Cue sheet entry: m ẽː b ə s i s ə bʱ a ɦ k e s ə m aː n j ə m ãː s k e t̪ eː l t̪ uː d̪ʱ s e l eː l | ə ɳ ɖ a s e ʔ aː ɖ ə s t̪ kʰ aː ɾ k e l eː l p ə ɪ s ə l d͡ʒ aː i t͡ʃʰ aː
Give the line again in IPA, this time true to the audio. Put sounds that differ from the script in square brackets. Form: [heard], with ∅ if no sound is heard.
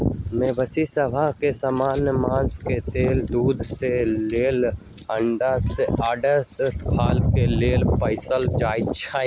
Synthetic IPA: m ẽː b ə s i s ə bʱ a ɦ k e s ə m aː n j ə m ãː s k e t̪ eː l [d̪] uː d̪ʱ s e l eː l | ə ɳ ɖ a s e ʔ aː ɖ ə s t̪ kʰ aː [l] k e l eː l p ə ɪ s ə l d͡ʒ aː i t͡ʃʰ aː